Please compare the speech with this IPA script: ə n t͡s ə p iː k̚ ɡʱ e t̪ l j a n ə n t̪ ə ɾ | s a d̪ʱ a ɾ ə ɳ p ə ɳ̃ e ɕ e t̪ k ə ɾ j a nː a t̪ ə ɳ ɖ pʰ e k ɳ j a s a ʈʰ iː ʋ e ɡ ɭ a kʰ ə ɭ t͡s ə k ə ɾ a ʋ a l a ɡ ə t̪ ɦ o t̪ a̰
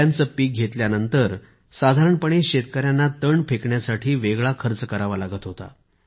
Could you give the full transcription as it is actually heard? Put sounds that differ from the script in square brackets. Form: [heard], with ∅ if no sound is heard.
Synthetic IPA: [a] n t͡s ə p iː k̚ ɡʱ e t̪ l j a n ə n t̪ ə ɾ | s a d̪ʱ a ɾ ə ɳ p ə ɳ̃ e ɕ e t̪ k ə ɾ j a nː a t̪ ə ɳ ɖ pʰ e k ɳ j a s a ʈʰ iː ʋ e ɡ ɭ a kʰ ə [ɾ] t͡s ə k ə ɾ a ʋ a l a ɡ ə t̪ ɦ o t̪ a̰